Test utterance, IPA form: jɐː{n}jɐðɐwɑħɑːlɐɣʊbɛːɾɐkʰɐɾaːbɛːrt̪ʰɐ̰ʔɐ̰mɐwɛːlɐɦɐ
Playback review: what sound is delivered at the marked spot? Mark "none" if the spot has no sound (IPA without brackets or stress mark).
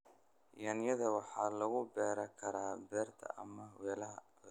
n